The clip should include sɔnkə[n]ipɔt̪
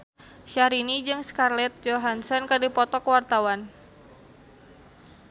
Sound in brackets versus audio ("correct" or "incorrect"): incorrect